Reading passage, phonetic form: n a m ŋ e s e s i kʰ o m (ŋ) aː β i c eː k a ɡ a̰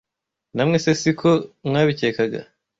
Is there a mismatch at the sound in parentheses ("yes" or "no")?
no